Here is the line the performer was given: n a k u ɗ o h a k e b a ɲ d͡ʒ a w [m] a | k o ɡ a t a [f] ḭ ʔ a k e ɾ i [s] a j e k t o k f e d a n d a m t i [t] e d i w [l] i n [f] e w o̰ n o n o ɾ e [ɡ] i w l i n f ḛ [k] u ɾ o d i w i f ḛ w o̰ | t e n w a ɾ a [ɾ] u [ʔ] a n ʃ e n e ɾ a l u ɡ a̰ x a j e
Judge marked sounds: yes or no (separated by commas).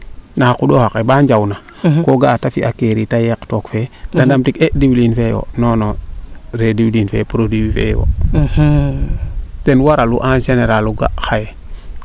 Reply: no, yes, no, no, yes, yes, no, no, no, yes